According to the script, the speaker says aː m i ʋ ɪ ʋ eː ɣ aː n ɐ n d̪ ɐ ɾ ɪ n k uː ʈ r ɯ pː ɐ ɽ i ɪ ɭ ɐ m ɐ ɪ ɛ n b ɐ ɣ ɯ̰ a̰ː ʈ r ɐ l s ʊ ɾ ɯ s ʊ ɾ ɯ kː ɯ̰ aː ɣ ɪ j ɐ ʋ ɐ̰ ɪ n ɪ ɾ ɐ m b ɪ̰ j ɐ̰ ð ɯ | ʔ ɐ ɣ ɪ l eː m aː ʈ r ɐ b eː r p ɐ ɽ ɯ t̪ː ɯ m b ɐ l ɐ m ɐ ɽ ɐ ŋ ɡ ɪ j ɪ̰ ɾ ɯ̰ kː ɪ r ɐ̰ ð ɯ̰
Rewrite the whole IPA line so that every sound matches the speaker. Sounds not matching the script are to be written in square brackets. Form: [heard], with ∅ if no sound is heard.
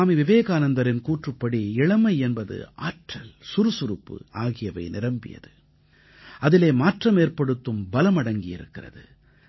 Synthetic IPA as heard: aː m i ʋ ɪ ʋ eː ɣ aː n ɐ n d̪ ɐ ɾ ɪ n k uː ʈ r ɯ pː ɐ ɽ i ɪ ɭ ɐ m ɐ ɪ ɛ n b ɐ [ð] ɯ̰ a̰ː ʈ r ɐ l s ʊ ɾ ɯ s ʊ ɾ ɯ [pː] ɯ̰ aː ɣ ɪ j ɐ ʋ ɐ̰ ɪ n ɪ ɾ ɐ m b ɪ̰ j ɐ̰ ð ɯ | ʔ ɐ [ð] ɪ l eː m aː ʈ r ɐ [m] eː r p ɐ ɽ ɯ t̪ː ɯ m b ɐ l ɐ m ɐ ɽ ɐ ŋ ɡ ɪ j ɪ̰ ɾ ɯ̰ kː ɪ r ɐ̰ ð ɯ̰